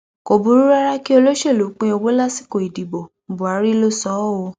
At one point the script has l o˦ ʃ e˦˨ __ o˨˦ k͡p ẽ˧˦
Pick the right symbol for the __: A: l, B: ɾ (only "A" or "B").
A